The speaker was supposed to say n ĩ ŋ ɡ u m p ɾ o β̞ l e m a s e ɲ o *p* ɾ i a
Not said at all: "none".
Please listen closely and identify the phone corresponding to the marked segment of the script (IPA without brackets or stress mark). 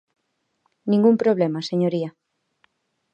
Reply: none